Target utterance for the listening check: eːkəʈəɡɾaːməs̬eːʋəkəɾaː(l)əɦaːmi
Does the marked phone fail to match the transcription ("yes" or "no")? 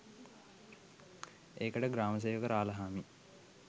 no